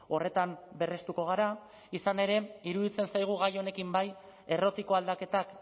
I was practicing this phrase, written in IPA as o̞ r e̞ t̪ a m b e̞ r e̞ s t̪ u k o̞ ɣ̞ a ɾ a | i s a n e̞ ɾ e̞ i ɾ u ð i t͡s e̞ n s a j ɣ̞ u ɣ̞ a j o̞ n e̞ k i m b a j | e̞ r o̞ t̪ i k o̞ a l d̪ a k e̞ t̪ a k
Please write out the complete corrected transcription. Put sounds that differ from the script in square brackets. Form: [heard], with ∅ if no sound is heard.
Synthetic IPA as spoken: o̞ r e̞ t̪ a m b e̞ r e̞ s t̪ u k o̞ ɣ̞ a ɾ a | i s a n e̞ ɾ e̞ i ɾ u ð i t͡s e̞ n s a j ɣ̞ u ɣ̞ a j o̞ n e̞ k i m b a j | e̞ r o̞ t̪ i k o̞ a l d̪ a k e̞ t̪ a k